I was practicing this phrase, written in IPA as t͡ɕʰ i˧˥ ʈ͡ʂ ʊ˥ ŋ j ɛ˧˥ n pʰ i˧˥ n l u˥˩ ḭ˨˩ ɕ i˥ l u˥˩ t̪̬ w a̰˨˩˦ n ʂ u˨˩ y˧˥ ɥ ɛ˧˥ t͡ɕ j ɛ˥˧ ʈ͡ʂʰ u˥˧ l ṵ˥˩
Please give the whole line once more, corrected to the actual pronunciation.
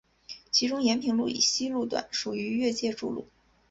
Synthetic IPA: t͡ɕʰ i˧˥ ʈ͡ʂ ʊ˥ ŋ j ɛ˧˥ n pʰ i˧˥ ŋ l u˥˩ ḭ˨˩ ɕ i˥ l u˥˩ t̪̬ w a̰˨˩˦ n ʂ u˨˩ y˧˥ ɥ ɛ˥˧ t͡ɕ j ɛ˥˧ ʈ͡ʂ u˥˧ l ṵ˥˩